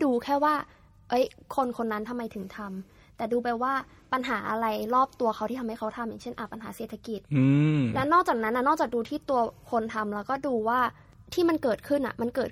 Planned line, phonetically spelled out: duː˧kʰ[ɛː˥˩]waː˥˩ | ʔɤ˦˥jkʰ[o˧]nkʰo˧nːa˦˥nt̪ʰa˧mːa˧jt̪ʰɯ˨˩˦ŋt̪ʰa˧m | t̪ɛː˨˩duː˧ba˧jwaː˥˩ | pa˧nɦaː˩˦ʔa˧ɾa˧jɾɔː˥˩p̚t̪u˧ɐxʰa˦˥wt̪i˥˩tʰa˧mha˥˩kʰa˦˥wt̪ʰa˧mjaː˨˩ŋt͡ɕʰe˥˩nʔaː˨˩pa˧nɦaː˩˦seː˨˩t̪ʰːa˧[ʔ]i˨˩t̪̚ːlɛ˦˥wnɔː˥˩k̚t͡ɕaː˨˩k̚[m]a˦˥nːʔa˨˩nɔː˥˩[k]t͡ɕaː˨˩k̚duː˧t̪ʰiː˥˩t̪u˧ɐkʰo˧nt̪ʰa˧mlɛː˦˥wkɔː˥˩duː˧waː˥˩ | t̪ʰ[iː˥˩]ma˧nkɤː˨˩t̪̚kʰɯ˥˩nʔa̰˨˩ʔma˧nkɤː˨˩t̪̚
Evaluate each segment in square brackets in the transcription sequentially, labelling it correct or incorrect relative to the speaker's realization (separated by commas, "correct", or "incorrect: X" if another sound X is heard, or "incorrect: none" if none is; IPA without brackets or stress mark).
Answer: correct, correct, incorrect: k, incorrect: n, correct, correct